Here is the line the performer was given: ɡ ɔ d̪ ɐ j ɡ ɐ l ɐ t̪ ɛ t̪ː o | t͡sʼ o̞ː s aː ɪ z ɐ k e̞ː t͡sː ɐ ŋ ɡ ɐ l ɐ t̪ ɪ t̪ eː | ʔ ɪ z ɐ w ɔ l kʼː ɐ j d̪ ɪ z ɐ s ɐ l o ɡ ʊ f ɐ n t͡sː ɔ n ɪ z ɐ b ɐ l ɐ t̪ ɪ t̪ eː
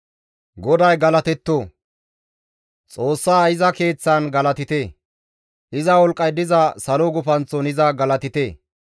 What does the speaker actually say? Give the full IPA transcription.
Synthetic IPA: ɡ ɔ d̪ ɐ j ɡ ɐ l ɐ t̪ ɛ t̪ː o | t͡sʼ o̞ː sː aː ɪ z ɐ k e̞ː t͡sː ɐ n ɡ ɐ l ɐ t̪ ɪ t̪ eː | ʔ ɪ z ɐ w ɔ l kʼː ɐ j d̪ ɪ z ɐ s ɐ l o ɡ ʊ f ɐ n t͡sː ɔ n ɪ z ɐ ɡ ɐ l ɐ t̪ ɪ t̪ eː